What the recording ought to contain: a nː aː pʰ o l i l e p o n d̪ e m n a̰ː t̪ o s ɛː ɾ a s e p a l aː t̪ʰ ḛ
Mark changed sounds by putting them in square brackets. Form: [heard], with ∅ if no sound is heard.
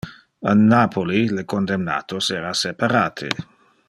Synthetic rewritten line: a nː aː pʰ o l i l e [k] o n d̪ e m n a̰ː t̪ o s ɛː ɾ a s e p a [ɾ] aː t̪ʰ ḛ

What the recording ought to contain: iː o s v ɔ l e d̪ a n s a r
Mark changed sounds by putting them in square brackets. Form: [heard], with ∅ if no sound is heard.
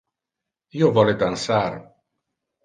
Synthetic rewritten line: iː o [∅] v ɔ l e d̪ a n s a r

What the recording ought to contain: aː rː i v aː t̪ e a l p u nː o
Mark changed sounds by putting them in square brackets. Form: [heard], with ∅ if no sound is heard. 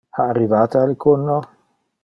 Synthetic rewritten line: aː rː i v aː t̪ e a l [k] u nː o

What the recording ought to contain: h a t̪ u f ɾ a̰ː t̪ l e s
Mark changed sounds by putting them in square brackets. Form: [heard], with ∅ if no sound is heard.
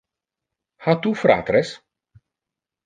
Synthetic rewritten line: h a t̪ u f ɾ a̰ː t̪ [ɾ] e s

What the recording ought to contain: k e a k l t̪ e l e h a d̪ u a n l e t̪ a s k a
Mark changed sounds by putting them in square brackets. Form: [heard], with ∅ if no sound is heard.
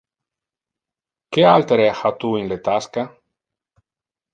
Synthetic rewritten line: k e a [∅] l t̪ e [ɾ] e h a [t̪] u [i] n l e t̪ a s k a

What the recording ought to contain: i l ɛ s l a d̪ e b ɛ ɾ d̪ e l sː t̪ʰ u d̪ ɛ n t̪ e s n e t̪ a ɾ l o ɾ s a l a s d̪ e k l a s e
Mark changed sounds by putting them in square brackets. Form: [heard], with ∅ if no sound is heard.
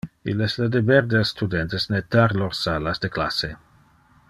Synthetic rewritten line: i l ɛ s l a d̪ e b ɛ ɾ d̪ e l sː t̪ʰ u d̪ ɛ n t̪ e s n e t̪ a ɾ l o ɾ s a l a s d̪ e k l a s e

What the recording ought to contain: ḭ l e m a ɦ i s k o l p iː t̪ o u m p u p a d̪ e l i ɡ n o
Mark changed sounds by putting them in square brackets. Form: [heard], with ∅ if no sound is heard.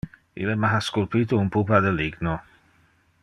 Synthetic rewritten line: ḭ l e m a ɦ [a] s k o l p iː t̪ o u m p u p a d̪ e l i ɡ n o

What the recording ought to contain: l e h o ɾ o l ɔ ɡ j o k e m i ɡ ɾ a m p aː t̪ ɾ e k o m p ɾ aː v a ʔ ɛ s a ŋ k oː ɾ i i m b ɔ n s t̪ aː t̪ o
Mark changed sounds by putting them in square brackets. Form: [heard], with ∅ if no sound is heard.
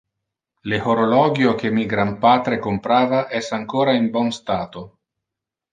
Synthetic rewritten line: l e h o ɾ o l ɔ ɡ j o k e m i ɡ ɾ a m p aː t̪ ɾ e k o m p ɾ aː v a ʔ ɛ s a ŋ k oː ɾ [a] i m b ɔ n s t̪ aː t̪ o

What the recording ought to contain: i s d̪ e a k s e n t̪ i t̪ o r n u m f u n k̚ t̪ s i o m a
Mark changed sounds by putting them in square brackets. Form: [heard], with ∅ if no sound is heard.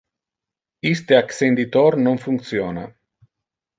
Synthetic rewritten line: i s [t̪] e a k s e n [d̪] i t̪ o r n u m f u [ŋ] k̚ t̪ s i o [n] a

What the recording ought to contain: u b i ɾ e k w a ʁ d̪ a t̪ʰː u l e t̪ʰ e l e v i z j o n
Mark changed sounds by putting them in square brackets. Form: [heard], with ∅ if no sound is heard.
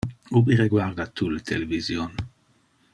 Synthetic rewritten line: u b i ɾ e [ɡ] w a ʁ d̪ a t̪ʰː u l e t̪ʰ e l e v i z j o n

